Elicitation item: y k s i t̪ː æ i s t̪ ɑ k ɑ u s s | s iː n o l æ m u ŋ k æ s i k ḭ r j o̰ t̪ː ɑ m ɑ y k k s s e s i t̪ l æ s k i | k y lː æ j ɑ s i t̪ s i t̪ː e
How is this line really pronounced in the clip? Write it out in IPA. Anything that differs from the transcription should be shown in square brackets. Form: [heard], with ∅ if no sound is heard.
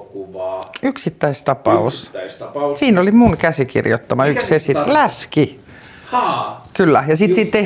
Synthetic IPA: y k s i t̪ː æ i s t̪ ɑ [p] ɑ u s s | s iː n o l [i] m u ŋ k æ s i k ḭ r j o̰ t̪ː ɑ m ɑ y k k s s e s i t̪ l æ s k i | k y lː æ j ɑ s i t̪ s i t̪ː e